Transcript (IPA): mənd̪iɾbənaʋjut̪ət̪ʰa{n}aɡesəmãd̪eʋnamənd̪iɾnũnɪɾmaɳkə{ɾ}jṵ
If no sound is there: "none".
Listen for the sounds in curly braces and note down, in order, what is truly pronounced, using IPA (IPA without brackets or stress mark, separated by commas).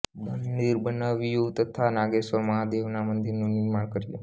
n, ɾ